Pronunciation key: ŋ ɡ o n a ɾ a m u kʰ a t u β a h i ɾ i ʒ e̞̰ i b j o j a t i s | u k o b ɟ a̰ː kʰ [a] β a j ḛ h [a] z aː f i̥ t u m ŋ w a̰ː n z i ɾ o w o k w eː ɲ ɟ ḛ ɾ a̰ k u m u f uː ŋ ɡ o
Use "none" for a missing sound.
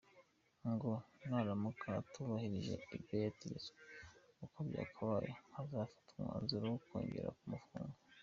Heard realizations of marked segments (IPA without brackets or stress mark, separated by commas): a, a